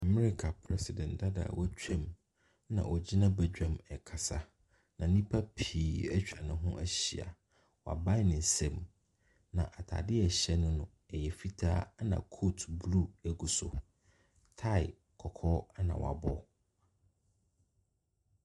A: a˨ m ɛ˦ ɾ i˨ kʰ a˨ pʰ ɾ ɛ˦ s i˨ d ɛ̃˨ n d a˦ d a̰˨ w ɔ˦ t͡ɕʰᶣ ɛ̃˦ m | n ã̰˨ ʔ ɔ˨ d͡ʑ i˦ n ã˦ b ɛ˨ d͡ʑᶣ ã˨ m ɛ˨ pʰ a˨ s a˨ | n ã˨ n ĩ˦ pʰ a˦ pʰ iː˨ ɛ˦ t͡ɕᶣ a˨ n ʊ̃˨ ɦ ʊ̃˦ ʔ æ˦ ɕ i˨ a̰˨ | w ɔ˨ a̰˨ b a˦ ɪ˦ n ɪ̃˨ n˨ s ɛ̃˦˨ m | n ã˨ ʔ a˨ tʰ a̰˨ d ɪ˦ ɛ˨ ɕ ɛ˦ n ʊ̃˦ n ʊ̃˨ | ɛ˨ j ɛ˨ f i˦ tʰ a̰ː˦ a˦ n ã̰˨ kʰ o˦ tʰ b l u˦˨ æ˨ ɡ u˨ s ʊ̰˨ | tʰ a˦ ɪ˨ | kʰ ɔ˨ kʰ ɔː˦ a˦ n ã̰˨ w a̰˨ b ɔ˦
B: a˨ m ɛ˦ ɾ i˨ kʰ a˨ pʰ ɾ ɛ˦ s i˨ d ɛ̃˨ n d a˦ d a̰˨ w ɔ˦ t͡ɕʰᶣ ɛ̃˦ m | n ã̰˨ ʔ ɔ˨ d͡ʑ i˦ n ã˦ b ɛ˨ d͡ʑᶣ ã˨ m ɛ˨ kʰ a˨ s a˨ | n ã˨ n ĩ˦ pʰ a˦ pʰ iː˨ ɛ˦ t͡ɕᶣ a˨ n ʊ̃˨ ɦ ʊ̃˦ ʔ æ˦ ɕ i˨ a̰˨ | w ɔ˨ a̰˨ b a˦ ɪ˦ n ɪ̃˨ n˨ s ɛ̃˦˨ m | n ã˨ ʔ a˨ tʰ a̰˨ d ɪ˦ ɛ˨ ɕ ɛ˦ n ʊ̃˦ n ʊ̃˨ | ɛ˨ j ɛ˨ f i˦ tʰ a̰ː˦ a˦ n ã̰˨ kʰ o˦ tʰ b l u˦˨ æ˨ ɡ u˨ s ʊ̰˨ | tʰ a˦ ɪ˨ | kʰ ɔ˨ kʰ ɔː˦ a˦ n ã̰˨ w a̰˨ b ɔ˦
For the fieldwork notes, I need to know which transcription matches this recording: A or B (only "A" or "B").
B